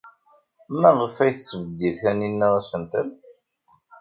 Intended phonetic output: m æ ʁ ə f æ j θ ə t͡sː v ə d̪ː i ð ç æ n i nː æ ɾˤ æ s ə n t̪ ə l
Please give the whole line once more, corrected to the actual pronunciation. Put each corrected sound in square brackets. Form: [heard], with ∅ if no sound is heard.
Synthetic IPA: m æ ʁ ə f æ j θ ə t͡sː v ə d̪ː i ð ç æ n i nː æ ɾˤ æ s ə n t̪ ə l